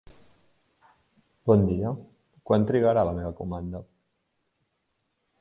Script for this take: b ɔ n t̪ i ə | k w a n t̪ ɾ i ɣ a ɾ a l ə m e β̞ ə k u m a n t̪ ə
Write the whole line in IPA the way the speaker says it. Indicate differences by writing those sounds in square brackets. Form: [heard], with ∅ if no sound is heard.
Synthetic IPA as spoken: b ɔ n [d̪] i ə | k w a n t̪ ɾ i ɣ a ɾ a l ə m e β̞ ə k u m a n [d̪] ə